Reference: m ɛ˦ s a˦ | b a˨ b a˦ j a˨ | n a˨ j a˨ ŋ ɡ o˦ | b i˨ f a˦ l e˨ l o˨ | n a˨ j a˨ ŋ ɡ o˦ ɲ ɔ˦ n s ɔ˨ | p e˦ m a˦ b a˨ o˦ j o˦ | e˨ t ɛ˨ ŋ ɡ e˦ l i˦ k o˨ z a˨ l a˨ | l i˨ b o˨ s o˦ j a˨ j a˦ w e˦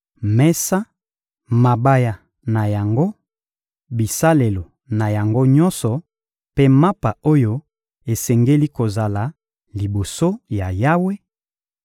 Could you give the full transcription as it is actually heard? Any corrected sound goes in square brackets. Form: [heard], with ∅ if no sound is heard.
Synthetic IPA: m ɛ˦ s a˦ | [m] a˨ b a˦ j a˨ | n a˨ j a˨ ŋ ɡ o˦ | b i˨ [s] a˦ l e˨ l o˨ | n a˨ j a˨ ŋ ɡ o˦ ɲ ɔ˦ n s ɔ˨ | p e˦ m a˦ [p] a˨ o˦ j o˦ | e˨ [s] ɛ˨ ŋ ɡ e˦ l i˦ k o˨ z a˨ l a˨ | l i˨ b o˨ s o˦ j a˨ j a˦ w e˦